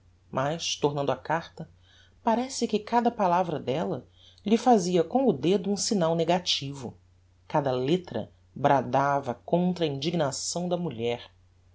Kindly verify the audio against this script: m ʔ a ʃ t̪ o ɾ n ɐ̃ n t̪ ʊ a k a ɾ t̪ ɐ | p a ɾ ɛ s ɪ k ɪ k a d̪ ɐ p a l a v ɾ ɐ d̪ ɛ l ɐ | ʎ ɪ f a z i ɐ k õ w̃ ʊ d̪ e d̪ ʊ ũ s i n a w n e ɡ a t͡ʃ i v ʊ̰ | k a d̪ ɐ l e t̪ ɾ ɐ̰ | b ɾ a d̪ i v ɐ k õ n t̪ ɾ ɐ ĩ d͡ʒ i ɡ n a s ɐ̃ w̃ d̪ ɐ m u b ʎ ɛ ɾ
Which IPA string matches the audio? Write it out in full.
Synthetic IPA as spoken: m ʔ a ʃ t̪ o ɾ n ɐ̃ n d̪ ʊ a k a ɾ t̪ ɐ | p a ɾ ɛ s ɪ k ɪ k a d̪ ɐ p a l a v ɾ ɐ d̪ ɛ l ɐ | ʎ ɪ f a z i ɐ k õ w̃ ʊ d̪ e d̪ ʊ ũ s i n a w n e ɡ a t͡ʃ i v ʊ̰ | k a d̪ ɐ l e t̪ ɾ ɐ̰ | b ɾ a d̪ a v ɐ k õ n t̪ ɾ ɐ ĩ d͡ʒ i ɡ n a s ɐ̃ w̃ d̪ ɐ m u ʎ ɛ ɾ